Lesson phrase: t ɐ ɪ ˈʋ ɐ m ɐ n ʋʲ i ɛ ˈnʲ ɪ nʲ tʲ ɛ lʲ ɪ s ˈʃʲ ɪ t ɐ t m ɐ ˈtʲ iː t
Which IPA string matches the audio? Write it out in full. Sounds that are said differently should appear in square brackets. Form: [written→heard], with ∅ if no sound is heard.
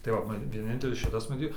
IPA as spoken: t ɐ ɪ ˈʋ ɐ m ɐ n ʋʲ i ɛ ˈnʲ ɪ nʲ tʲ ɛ lʲ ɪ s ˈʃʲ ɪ t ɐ [t→s] m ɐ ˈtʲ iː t